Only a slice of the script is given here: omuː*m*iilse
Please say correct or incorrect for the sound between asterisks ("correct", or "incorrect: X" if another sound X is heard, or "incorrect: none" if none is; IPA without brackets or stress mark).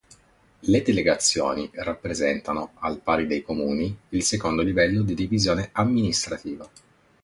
incorrect: n